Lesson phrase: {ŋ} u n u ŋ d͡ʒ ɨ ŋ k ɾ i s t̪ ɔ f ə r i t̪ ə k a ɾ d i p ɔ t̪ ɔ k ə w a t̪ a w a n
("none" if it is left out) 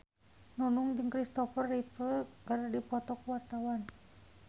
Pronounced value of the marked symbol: n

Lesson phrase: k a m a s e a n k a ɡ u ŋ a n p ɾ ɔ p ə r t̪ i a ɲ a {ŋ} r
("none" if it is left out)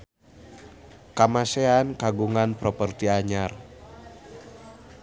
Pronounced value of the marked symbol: none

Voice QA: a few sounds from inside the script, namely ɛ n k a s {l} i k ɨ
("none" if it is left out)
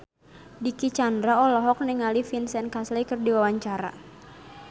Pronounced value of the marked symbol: l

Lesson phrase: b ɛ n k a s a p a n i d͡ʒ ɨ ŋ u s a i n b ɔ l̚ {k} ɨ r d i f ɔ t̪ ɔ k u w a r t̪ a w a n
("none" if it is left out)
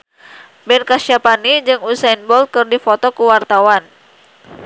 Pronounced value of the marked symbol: k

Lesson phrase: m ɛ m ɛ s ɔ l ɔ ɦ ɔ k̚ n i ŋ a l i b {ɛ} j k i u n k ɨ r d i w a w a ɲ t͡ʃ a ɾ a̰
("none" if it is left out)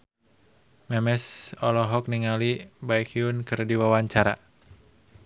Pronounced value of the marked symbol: a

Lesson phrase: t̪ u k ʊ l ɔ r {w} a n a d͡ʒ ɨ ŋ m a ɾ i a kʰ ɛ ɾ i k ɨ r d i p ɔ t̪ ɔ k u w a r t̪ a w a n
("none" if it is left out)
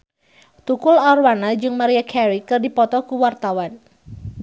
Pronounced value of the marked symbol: w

